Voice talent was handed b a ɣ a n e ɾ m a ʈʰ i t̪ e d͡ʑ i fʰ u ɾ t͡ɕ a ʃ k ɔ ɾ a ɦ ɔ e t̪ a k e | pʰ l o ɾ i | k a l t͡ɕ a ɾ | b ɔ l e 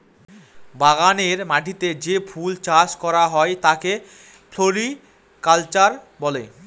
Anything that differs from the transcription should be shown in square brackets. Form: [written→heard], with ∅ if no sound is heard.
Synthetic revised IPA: b a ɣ a n e ɾ m a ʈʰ i t̪ e d͡ʑ [i→e] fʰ u [ɾ→l] t͡ɕ a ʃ k ɔ ɾ a ɦ ɔ e t̪ a k e | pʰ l o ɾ i | k a l t͡ɕ a ɾ | b ɔ l e